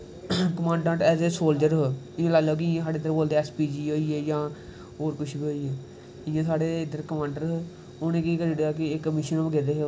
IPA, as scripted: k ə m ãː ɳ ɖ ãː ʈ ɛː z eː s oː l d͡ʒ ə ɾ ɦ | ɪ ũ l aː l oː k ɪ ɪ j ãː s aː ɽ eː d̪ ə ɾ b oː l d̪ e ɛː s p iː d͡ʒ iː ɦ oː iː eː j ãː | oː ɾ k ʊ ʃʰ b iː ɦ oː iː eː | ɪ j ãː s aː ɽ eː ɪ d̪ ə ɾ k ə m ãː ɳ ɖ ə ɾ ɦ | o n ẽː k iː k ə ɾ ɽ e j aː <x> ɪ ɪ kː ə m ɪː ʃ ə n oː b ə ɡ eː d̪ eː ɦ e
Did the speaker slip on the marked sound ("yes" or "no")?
yes